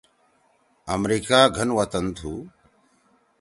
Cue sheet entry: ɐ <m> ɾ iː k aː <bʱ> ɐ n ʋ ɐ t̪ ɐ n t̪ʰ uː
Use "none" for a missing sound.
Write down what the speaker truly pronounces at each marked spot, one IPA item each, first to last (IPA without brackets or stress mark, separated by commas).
m, ɡʱ